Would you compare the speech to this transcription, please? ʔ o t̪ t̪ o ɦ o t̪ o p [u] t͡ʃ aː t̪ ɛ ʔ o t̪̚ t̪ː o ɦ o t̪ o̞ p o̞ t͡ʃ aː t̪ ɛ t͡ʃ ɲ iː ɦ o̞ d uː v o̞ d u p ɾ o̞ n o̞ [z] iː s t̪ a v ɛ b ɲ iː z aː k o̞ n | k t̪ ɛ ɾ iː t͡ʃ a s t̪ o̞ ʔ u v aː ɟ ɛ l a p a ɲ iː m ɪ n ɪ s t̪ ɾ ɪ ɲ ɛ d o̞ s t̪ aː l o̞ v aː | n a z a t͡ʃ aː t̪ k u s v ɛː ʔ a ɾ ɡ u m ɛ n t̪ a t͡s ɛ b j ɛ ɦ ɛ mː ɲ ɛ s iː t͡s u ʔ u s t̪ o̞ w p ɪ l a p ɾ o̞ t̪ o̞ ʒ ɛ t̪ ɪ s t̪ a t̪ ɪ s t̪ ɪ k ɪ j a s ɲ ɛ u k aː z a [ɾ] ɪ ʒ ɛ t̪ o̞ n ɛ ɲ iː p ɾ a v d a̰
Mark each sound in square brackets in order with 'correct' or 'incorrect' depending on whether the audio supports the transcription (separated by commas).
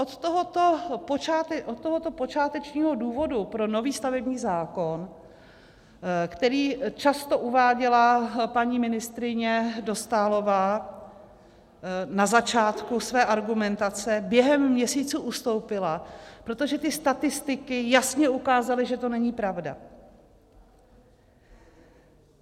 incorrect, incorrect, incorrect